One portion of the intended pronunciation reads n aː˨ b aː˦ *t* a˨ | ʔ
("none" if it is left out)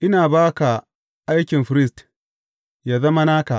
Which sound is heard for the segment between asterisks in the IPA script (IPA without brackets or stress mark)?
k